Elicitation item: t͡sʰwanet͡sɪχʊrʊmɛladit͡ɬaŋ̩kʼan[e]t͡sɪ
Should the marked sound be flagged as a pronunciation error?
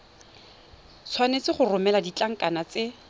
yes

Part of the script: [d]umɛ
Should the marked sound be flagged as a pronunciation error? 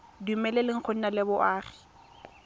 no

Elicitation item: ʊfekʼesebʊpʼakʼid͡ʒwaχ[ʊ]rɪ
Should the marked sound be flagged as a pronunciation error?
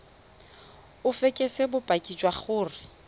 yes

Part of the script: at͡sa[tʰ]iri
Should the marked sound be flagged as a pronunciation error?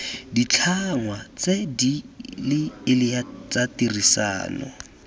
yes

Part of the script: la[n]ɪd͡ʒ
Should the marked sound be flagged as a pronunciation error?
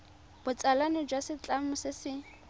no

